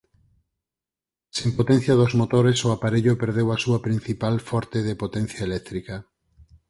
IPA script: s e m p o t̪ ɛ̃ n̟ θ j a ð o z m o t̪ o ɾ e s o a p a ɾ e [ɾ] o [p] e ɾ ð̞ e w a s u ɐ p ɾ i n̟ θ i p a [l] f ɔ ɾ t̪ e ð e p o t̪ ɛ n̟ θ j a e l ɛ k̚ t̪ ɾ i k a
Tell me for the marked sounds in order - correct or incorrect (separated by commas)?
incorrect, correct, correct